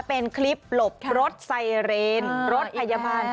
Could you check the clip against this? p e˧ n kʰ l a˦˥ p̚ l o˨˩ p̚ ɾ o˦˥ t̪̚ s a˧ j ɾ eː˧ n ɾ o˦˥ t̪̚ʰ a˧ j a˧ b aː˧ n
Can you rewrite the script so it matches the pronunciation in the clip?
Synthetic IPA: p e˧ n kʰ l i˦˥ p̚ l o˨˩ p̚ ɾ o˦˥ t̪̚ s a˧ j ɾ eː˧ n ɾ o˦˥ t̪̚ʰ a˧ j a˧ b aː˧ n